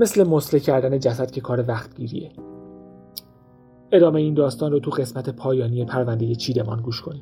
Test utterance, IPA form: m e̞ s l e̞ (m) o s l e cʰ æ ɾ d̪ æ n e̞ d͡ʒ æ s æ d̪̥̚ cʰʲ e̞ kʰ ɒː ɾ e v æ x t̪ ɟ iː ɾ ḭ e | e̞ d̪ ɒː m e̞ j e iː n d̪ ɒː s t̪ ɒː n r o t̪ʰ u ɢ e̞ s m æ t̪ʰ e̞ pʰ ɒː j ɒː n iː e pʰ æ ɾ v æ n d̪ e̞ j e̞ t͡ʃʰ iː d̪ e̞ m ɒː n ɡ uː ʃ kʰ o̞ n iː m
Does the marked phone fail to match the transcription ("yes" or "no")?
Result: no